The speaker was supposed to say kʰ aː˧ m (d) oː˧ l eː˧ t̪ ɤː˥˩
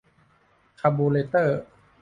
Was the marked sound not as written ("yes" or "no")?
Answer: yes